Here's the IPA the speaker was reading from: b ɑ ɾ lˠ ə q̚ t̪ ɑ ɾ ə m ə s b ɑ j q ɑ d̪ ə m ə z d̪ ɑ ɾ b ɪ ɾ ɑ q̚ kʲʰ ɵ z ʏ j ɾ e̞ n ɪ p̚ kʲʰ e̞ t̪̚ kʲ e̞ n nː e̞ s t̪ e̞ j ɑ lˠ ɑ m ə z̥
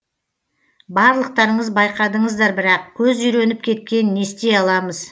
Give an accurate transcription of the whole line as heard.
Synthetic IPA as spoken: b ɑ ɾ lˠ ə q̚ t̪ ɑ ɾ ə ɴ ə z b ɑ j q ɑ d̪ ə ɴ ə z d̪ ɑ ɾ b ɪ ɾ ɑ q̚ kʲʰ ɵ z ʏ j ɾ e̞ n ɪ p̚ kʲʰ e̞ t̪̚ kʲ e̞ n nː e̞ s t̪ e̞ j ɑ lˠ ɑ m ə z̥